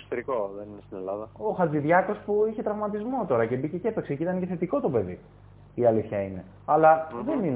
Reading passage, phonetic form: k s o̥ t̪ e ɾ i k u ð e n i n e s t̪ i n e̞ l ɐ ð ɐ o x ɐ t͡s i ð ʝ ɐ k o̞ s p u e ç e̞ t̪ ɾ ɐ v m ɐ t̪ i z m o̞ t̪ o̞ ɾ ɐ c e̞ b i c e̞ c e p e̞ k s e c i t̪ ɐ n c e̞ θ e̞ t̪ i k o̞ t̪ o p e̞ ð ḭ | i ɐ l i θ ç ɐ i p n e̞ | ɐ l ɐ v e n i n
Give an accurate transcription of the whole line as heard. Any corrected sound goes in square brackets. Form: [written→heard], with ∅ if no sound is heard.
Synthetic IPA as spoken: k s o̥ t̪ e ɾ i k [u→o] ð e n i n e s t̪ i n e̞ l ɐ ð ɐ o x ɐ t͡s i ð ʝ ɐ k o̞ s p u [e→i] ç e̞ t̪ ɾ ɐ v m ɐ t̪ i z m o̞ t̪ o̞ ɾ ɐ c e̞ b i c e̞ c e p e̞ k s e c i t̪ ɐ n c e̞ θ e̞ t̪ i k o̞ t̪ o p e̞ ð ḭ | i ɐ l i θ ç ɐ i [p→∅] n e̞ | ɐ l ɐ [v→ð] e n i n